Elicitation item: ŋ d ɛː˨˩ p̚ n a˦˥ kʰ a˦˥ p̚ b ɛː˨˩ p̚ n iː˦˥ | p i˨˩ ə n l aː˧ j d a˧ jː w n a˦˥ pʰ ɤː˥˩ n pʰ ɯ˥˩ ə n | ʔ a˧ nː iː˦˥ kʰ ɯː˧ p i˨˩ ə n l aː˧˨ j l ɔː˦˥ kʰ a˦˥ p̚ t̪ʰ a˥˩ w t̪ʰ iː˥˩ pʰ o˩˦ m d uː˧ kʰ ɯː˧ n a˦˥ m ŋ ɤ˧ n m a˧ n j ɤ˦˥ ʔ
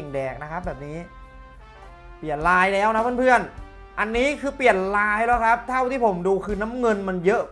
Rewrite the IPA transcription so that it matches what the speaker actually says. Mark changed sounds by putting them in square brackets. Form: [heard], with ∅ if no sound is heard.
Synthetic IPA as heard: ŋ d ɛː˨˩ [k̚] n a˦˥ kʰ a˦˥ p̚ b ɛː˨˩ p̚ n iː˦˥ | p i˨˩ ə n l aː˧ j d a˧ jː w n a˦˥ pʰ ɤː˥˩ n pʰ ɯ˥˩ ə n | ʔ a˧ nː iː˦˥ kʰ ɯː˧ p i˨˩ ə n l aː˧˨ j l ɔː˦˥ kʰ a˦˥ p̚ t̪ʰ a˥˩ w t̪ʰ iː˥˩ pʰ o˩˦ m d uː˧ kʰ ɯː˧ n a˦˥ m ŋ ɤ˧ n m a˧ n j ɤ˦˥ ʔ